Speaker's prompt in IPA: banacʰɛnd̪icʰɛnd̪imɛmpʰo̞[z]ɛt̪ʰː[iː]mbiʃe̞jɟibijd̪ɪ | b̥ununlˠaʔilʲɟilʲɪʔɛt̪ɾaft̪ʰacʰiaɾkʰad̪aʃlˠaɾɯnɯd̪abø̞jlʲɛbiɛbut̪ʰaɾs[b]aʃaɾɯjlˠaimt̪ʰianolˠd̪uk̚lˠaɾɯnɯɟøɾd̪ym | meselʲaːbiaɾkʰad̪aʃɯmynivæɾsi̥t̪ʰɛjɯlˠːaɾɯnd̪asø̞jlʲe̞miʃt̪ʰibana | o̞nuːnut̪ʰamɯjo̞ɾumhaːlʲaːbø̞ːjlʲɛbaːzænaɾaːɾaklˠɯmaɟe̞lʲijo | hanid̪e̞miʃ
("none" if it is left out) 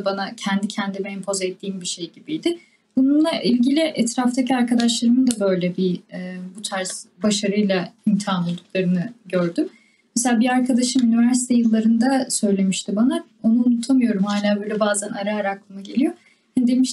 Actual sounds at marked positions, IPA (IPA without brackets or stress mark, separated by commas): z, iː, b